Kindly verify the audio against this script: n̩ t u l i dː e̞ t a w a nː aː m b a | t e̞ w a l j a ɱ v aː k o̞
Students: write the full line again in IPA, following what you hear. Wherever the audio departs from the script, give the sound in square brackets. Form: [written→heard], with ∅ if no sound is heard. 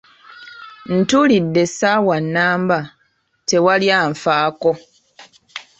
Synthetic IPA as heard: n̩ t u l i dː e̞ [t→s] a w a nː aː m b a | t e̞ w a l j a ɱ [v→f] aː k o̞